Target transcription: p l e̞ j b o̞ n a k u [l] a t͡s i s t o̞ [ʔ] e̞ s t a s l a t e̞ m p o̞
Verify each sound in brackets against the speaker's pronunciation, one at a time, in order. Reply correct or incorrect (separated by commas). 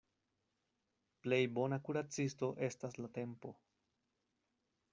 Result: incorrect, correct